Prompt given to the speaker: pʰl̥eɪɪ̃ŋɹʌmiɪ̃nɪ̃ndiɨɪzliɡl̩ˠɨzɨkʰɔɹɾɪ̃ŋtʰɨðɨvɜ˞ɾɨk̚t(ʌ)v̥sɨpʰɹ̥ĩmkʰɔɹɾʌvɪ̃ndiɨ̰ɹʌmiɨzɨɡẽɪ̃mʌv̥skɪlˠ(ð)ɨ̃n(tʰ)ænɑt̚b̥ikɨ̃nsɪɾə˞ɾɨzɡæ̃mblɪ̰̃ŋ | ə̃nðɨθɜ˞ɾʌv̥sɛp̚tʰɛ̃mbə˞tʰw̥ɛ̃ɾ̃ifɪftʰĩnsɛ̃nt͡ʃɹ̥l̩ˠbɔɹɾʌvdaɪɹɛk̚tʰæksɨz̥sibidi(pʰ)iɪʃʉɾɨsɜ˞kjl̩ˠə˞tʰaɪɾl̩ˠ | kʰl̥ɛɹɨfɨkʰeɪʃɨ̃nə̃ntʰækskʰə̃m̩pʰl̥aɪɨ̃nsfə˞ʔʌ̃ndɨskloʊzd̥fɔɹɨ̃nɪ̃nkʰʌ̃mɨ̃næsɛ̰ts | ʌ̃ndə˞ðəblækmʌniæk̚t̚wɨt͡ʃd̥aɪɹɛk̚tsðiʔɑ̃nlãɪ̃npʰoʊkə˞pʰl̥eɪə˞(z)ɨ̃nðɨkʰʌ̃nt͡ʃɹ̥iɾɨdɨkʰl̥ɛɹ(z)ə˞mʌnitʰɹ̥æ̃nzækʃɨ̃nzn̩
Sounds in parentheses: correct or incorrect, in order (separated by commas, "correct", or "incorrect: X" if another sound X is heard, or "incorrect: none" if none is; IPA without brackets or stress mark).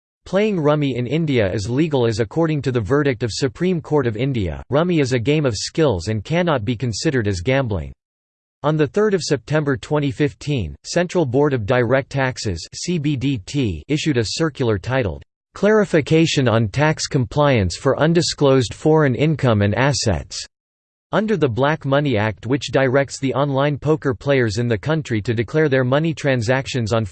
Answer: correct, incorrect: z, incorrect: kʰ, incorrect: tʰ, correct, incorrect: ð